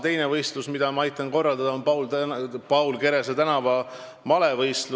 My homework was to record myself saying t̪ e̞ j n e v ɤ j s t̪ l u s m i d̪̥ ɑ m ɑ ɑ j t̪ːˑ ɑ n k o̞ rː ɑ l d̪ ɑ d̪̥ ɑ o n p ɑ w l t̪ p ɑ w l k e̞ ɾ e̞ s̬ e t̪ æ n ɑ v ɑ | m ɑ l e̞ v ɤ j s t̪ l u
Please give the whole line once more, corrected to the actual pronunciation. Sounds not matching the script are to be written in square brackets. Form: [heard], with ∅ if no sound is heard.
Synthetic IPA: t̪ e̞ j n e v ɤ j s t̪ l u s m i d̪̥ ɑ m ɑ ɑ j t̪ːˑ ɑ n k o̞ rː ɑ l d̪ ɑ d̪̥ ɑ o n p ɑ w l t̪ p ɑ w l k e̞ ɾ e̞ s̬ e t̪ æ n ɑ v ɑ | m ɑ l e̞ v ɤ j s t̪ l u